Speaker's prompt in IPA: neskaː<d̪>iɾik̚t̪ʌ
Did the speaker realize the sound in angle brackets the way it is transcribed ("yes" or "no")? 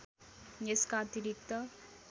no